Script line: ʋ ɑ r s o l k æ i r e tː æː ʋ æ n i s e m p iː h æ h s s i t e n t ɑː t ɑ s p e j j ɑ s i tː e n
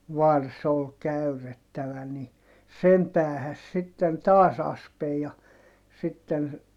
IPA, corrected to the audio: ʋ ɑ r s o l k æ y r e tː æ ʋ æ n i s e m p æː h æ s s i t e n t ɑː s ɑ s p e j j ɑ s i tː e n